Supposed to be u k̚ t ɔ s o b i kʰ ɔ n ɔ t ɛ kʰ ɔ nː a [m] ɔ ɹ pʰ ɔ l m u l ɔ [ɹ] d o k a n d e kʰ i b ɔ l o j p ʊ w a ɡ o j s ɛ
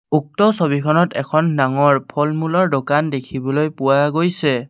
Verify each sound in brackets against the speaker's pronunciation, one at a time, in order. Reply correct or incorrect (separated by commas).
incorrect, correct